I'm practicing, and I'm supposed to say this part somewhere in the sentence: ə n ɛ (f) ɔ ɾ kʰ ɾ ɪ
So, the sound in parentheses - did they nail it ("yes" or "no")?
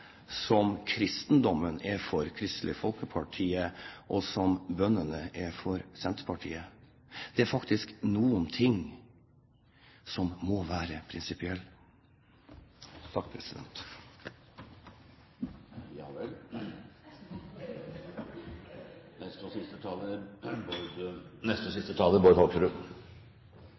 yes